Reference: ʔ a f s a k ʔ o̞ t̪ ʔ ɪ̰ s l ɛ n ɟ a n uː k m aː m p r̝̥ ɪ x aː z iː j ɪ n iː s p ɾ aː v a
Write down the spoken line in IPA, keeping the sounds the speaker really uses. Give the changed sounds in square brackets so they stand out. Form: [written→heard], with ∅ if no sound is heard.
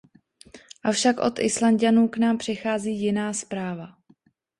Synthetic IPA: ʔ a f [s→ʃ] a k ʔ o̞ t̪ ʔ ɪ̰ s l [ɛ→a] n ɟ a n uː k [m→n] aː m p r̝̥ ɪ x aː z iː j ɪ n [iː→aː] s p ɾ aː v a